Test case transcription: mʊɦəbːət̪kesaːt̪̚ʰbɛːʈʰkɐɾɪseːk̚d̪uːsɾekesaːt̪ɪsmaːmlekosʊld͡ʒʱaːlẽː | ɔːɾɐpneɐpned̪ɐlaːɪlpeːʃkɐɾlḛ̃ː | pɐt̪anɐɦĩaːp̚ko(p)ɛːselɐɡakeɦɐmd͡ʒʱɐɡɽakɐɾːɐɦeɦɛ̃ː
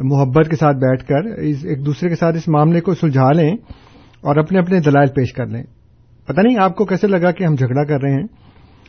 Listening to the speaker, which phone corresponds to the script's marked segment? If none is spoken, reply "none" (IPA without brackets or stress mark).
k